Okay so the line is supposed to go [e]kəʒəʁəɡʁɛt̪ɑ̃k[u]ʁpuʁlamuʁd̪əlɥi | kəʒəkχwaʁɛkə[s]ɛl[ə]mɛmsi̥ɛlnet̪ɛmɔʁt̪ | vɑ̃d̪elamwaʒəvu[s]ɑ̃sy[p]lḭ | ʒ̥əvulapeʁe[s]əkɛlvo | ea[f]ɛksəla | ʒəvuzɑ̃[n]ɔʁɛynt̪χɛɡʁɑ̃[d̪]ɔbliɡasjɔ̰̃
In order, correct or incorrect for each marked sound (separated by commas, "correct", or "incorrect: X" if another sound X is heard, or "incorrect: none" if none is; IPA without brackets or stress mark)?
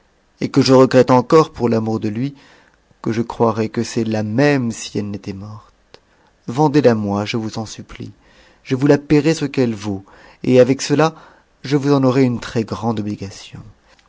correct, incorrect: ɔ, correct, incorrect: a, incorrect: z, correct, correct, incorrect: v, correct, correct